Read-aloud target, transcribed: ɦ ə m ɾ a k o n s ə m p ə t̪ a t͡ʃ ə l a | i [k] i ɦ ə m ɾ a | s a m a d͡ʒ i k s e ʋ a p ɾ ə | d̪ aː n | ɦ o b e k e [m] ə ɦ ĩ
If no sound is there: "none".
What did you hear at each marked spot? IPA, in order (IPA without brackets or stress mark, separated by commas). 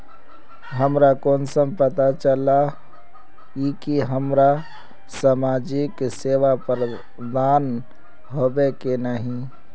k, n